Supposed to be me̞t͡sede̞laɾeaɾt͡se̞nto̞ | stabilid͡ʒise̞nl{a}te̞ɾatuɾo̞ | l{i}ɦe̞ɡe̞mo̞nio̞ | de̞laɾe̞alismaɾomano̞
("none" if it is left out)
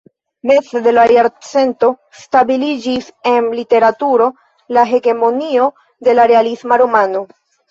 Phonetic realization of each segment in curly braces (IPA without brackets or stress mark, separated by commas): i, a